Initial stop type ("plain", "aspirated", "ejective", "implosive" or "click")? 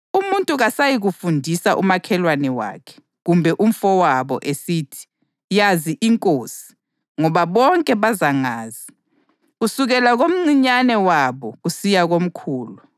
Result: ejective